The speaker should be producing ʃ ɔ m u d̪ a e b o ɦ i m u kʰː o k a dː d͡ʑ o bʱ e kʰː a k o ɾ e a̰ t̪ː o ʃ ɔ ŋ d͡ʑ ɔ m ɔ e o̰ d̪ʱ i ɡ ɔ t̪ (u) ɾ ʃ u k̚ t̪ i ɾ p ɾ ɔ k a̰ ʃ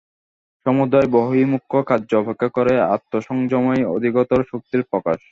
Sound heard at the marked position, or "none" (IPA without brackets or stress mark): o